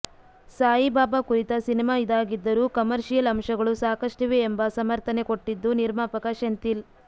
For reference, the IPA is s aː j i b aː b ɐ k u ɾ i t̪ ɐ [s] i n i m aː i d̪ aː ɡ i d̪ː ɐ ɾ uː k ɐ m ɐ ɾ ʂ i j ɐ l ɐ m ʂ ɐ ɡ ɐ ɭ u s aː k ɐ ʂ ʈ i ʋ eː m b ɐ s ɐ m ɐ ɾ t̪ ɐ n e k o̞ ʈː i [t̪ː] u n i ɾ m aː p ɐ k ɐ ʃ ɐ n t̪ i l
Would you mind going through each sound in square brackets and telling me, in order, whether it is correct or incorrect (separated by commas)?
correct, incorrect